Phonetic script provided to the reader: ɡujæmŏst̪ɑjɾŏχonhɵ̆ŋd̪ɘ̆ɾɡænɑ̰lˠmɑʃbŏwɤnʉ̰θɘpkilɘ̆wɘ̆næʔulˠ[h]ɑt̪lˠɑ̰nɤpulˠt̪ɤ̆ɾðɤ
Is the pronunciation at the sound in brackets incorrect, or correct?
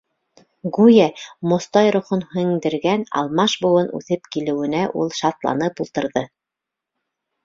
incorrect: ʃ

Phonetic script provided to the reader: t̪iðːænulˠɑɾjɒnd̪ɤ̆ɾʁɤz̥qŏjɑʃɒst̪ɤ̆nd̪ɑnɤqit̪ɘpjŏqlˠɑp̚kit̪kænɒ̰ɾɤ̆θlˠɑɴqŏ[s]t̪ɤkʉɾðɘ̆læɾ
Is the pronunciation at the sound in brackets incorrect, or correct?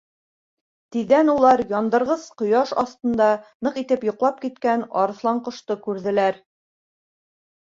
incorrect: ʃ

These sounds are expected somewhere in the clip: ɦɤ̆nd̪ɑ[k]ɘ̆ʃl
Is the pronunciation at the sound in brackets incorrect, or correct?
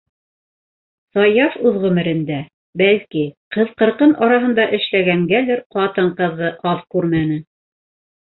incorrect: ʔ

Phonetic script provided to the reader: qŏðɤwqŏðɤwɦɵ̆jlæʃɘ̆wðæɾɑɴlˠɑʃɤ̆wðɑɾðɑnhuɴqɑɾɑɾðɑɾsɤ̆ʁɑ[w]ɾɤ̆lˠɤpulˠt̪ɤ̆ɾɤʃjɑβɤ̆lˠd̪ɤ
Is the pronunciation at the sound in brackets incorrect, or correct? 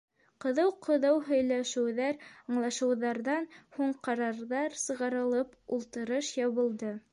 incorrect: none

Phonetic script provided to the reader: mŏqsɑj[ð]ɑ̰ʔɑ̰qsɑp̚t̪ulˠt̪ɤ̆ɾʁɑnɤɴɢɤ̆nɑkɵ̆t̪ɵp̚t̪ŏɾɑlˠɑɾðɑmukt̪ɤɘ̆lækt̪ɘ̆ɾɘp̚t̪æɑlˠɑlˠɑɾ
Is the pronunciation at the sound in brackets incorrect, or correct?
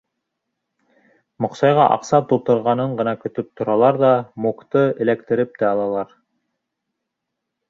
incorrect: ʁ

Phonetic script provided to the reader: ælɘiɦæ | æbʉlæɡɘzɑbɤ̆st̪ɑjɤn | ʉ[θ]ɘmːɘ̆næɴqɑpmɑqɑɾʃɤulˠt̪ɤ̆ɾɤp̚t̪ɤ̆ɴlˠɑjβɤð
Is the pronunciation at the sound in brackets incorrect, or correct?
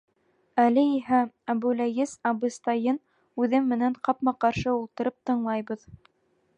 incorrect: ð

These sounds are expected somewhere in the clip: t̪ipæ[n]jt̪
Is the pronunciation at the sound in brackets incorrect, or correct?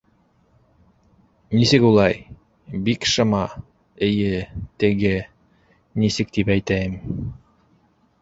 incorrect: none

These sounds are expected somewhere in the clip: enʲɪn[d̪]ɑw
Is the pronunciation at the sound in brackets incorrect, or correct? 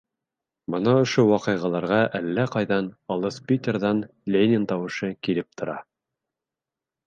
incorrect: t̪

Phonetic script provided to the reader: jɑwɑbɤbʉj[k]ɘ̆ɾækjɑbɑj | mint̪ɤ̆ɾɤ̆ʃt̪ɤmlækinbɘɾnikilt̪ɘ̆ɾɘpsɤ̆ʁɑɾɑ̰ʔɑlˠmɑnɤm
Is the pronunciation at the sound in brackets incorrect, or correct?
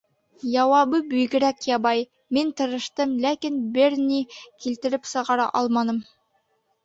incorrect: ɡ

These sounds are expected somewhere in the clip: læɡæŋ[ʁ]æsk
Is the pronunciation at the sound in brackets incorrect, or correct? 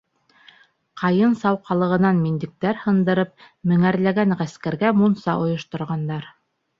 correct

